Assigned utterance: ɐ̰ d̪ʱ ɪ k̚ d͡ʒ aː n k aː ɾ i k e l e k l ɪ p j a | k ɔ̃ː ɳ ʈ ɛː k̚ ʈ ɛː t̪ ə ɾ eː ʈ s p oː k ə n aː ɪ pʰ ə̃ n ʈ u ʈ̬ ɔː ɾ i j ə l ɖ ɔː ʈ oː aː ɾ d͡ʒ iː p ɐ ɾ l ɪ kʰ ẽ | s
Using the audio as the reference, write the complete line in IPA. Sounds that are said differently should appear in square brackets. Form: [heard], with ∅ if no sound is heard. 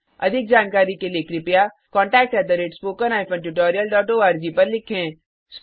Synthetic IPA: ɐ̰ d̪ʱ ɪ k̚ d͡ʒ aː n k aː ɾ i k e l e k [ɾ] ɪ p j a | k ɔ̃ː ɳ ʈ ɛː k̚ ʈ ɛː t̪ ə ɾ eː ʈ s p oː k ə n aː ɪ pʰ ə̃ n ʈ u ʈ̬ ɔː ɾ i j ə l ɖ ɔː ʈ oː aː ɾ d͡ʒ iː p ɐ ɾ l ɪ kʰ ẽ | s